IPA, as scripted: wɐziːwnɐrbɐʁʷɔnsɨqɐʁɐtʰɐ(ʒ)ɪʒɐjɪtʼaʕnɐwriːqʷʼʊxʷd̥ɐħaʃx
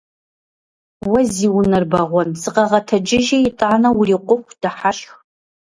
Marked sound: incorrect: d͡ʒ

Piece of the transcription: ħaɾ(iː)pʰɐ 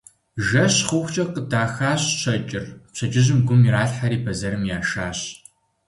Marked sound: correct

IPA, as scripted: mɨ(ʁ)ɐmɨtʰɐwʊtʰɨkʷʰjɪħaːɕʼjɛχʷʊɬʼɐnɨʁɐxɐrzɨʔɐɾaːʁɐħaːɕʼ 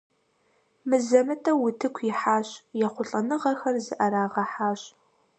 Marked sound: incorrect: z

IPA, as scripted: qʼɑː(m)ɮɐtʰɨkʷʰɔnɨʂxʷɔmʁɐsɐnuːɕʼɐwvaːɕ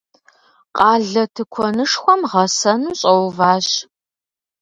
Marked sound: incorrect: none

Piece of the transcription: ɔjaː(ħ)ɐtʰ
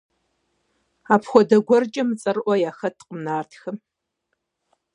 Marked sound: incorrect: x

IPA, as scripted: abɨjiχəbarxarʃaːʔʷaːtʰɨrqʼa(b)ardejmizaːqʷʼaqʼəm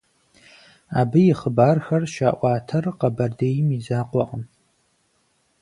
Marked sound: correct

